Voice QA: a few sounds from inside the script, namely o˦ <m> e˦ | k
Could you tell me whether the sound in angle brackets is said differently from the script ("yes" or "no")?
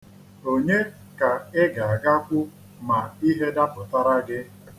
yes